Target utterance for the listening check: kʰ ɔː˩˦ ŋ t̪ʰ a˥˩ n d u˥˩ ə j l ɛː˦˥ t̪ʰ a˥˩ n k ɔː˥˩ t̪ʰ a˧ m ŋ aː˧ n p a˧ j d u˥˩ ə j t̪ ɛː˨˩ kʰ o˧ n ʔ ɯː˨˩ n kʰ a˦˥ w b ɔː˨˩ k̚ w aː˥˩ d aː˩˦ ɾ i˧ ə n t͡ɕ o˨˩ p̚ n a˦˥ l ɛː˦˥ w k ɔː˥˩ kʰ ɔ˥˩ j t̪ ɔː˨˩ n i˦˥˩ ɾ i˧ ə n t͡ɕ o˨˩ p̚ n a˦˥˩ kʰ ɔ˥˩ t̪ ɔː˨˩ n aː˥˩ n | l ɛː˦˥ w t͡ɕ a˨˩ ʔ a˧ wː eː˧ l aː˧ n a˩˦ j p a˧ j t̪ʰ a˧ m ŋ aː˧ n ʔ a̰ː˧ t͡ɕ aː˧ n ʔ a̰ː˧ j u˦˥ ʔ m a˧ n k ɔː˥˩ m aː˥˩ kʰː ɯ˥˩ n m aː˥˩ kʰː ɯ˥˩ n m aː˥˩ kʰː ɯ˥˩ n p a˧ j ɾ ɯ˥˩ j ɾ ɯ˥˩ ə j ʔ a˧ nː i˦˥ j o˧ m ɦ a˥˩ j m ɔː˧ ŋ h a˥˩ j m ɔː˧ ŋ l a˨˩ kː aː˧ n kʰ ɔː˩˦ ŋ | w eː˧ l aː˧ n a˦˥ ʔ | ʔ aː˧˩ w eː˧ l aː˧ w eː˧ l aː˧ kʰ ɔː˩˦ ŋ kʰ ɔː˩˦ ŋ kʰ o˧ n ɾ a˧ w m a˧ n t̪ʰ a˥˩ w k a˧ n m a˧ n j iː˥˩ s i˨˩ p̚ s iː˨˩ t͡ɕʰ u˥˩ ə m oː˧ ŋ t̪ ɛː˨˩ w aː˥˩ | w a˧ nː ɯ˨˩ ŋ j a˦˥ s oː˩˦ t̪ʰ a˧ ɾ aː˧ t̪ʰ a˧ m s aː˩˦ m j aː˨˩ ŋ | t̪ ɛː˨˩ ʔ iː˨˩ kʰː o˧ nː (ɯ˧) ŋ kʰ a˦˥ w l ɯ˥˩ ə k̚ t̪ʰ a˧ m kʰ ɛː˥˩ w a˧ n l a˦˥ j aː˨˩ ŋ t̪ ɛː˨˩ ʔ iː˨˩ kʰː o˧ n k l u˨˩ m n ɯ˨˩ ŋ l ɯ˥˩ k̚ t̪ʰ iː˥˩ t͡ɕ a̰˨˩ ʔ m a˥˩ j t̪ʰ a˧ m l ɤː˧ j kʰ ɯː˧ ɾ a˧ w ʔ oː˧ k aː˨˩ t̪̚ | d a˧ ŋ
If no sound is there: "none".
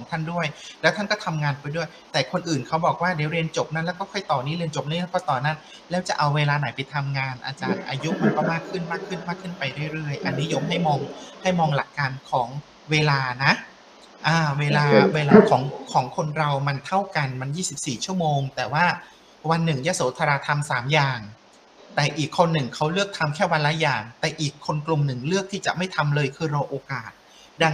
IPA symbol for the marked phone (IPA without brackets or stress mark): ɯ˨˩